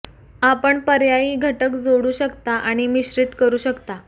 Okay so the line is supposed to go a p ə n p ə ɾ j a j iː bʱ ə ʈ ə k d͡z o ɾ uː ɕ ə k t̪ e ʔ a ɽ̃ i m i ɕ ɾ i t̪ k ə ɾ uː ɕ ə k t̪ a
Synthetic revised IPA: a p ə ɳ p ə ɾ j a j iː ɡʱ ə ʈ ə k d͡z o ɽ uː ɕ ə k t̪ a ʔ a ɽ̃ i m i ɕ ɾ i t̪ k ə ɾ uː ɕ ə k t̪ a